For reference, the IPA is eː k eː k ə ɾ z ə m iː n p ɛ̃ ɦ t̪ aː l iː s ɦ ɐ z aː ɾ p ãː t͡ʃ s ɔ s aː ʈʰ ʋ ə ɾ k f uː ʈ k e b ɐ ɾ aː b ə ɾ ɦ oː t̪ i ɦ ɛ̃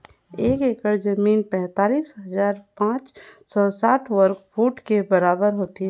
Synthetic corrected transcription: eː k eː k ə ɾ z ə m iː n p ɛ̃ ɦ t̪ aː l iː s ɦ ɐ z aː ɾ p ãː t͡ʃ s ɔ s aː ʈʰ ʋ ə ɾ k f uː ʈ k e b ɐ ɾ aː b ə ɾ ɦ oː t̪ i ɦ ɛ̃

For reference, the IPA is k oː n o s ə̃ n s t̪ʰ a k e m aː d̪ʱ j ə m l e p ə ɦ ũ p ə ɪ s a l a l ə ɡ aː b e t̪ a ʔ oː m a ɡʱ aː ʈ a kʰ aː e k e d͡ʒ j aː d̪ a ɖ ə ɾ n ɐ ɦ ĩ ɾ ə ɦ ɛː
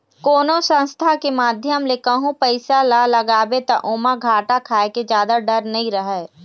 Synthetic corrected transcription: k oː n o s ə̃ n s t̪ʰ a k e m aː d̪ʱ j ə m l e k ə ɦ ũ p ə ɪ s a l a l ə ɡ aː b e t̪ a ʔ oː m a ɡʱ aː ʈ a kʰ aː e k e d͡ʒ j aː d̪ a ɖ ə ɾ n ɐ ɦ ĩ ɾ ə ɦ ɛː

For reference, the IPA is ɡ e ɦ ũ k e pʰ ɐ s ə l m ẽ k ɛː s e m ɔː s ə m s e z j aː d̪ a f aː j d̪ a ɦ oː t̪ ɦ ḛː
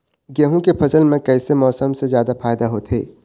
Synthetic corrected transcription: ɡ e ɦ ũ k e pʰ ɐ s ə l m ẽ k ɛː s e m ɔː s ə m s e z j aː d̪ a f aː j d̪ a ɦ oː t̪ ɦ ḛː

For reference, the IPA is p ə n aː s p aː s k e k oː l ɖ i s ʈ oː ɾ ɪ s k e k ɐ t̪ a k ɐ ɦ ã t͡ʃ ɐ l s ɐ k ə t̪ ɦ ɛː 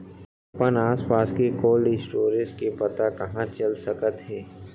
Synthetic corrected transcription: p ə n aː s p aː s k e k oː l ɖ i s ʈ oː ɾ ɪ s k e p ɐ t̪ a k ɐ ɦ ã t͡ʃ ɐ l s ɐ k ə t̪ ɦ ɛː

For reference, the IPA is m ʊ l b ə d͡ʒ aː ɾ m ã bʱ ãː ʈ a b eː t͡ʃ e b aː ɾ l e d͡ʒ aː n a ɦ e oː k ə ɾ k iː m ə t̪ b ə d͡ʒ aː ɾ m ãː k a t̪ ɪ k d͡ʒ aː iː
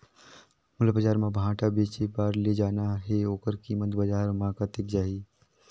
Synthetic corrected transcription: m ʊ l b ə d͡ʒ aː ɾ m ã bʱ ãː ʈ a b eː t͡ʃ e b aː ɾ l e d͡ʒ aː n a ɦ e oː k ə ɾ k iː m ə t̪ b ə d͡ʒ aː ɾ m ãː k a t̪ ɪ k d͡ʒ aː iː

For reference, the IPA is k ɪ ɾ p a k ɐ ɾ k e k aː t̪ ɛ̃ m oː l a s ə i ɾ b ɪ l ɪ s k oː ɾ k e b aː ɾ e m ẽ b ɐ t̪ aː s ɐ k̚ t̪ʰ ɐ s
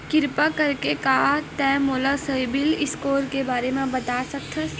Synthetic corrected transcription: k ɪ ɾ p a k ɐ ɾ k e k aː t̪ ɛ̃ m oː l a s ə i b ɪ l ɪ s k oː ɾ k e b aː ɾ e m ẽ b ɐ t̪ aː s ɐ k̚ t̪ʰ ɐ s

